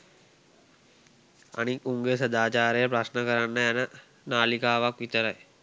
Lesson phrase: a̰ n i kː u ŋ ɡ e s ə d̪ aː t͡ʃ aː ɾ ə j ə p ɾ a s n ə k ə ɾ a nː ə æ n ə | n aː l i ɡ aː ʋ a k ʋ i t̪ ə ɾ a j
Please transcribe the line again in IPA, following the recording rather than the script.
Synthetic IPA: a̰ n i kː u ŋ ɡ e s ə d̪ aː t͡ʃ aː ɾ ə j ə p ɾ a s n ə k ə ɾ a nː ə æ n ə | n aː l i k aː ʋ a k ʋ i t̪ ə ɾ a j